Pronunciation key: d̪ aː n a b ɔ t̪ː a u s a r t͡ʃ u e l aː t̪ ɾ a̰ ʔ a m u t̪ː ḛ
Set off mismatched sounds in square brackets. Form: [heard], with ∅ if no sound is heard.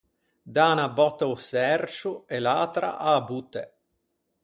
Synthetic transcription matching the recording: d̪ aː n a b ɔ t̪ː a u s [ɛ] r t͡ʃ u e l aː t̪ ɾ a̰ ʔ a [b] u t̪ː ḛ